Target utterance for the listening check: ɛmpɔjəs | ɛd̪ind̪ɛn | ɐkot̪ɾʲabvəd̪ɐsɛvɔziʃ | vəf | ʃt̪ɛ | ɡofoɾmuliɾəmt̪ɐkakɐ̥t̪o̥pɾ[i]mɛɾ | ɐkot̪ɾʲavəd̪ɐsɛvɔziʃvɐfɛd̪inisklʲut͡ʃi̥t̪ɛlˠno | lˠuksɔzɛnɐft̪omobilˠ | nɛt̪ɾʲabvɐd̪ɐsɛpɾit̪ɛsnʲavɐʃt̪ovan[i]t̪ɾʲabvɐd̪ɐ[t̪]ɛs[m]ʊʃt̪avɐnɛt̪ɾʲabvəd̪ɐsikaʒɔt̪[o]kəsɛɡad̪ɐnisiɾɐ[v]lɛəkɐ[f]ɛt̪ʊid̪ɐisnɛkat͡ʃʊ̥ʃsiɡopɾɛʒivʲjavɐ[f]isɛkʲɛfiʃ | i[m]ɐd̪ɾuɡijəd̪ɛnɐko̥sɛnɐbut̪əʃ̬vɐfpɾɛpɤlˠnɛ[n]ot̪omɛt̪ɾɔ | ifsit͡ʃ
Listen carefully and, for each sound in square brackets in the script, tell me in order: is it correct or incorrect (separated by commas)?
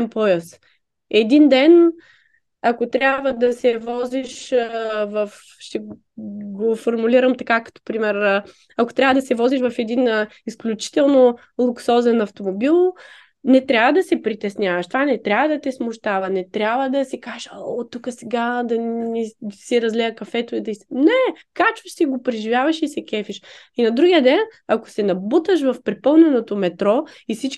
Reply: correct, incorrect, correct, correct, incorrect, incorrect, correct, incorrect, incorrect, correct